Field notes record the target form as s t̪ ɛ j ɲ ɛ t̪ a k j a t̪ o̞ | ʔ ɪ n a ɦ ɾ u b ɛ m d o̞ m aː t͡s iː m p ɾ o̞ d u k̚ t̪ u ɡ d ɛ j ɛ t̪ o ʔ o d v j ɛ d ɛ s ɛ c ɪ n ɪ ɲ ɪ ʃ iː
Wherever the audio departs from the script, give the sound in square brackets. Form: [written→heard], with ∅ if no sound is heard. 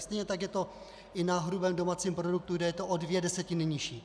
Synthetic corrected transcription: s t̪ ɛ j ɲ ɛ t̪ a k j [a→ɛ] t̪ o̞ | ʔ ɪ n a ɦ ɾ u b ɛ m d o̞ m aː t͡s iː m p ɾ o̞ d u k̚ t̪ u ɡ d ɛ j ɛ t̪ o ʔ o d v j ɛ d ɛ s ɛ c ɪ n ɪ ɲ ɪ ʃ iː